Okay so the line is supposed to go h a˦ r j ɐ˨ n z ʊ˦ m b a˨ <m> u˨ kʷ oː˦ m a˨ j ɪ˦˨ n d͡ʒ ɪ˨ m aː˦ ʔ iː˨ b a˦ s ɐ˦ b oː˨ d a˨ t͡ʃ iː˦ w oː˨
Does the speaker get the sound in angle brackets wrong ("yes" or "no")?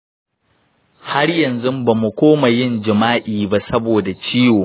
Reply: no